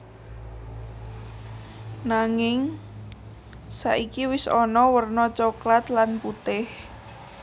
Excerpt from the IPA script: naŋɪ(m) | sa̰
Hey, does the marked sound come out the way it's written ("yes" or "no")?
no